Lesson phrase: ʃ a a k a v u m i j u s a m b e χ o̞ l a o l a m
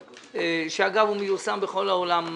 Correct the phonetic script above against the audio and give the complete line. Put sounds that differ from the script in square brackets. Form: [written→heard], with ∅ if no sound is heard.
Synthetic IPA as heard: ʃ [a→e] a [k→ɡ] a v u m [i→e] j u s a m b e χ o̞ l a o l a m